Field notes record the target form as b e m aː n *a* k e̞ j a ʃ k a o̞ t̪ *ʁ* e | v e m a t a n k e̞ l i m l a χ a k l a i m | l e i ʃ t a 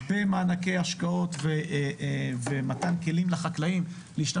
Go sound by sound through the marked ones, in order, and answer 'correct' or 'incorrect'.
correct, incorrect: v

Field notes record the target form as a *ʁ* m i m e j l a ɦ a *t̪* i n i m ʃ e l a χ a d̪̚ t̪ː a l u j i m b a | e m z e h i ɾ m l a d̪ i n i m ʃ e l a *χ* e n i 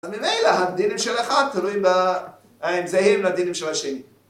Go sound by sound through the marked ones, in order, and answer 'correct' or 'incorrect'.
incorrect: z, incorrect: d̪, incorrect: ʃ

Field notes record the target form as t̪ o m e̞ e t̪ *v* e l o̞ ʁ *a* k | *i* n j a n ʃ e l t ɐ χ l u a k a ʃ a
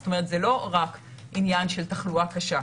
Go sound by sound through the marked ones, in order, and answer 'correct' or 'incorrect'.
incorrect: z, correct, correct

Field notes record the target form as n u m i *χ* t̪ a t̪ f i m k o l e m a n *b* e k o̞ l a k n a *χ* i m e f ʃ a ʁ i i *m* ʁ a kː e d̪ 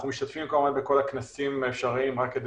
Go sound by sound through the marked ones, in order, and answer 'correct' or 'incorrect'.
incorrect: ʃ, correct, incorrect: s, correct

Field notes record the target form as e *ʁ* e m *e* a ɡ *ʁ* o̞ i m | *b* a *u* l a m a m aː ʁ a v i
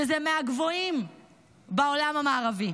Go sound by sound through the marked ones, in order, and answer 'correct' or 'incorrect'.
incorrect: z, correct, incorrect: v, correct, incorrect: o

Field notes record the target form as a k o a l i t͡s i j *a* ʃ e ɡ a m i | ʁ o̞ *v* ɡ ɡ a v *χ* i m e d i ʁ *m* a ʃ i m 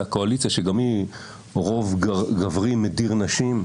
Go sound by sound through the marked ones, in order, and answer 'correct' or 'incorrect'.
correct, correct, incorrect: ʁ, incorrect: n

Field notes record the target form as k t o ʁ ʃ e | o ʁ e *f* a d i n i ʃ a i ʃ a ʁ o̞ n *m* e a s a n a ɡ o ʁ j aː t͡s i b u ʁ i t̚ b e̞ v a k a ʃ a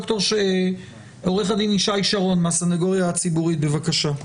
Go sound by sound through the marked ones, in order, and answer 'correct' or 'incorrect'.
incorrect: χ, correct

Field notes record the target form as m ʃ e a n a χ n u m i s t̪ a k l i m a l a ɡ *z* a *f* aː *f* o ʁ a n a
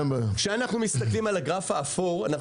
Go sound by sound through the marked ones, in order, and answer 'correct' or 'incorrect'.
incorrect: ʁ, correct, correct

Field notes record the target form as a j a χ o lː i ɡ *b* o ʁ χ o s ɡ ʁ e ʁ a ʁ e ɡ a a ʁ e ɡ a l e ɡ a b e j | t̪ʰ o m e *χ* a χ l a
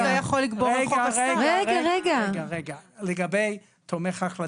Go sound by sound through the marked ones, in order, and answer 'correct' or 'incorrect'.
correct, correct

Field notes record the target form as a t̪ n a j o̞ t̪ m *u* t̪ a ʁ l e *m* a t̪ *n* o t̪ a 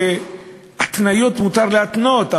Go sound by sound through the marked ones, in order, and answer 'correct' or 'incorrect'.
correct, incorrect: none, correct

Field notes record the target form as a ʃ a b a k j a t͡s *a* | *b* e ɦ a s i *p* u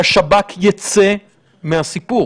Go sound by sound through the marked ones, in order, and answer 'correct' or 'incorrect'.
incorrect: e, incorrect: m, correct

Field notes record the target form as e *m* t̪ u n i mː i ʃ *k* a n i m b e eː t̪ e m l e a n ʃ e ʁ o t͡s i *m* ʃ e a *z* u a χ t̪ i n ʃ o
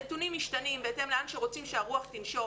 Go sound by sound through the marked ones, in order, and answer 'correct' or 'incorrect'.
incorrect: none, incorrect: t, correct, incorrect: ʁ

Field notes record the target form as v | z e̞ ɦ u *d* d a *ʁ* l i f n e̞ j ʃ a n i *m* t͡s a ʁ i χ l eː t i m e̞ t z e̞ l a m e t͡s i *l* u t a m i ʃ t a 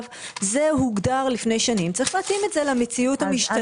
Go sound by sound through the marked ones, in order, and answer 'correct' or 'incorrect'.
incorrect: ɡ, correct, correct, incorrect: none

